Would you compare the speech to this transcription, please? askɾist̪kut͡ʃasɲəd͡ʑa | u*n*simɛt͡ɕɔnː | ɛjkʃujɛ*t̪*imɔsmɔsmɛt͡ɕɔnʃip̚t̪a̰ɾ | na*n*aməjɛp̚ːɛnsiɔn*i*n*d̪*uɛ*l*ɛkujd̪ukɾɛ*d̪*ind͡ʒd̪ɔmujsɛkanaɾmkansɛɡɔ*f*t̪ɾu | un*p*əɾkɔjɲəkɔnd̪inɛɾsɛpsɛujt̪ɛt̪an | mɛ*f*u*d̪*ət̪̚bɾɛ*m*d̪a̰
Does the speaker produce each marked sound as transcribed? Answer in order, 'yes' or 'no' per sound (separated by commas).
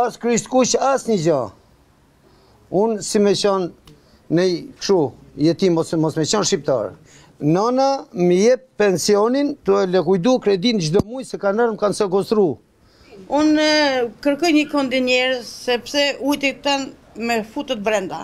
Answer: yes, yes, yes, yes, no, yes, yes, no, no, yes, no, no